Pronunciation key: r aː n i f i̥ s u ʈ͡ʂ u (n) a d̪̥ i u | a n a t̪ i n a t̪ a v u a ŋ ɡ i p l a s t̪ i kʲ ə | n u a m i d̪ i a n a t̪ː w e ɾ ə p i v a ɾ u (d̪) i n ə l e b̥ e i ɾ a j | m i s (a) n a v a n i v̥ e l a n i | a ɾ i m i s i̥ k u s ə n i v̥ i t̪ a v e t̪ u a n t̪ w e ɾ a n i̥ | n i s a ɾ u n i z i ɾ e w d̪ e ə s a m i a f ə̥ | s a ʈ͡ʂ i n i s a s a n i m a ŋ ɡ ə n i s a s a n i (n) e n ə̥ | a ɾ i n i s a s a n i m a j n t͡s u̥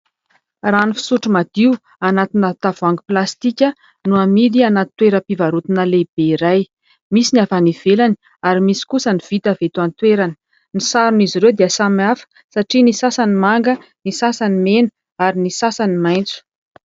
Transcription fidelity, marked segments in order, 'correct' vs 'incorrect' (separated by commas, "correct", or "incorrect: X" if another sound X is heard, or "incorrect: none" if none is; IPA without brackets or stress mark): incorrect: m, incorrect: t̪, incorrect: i, incorrect: m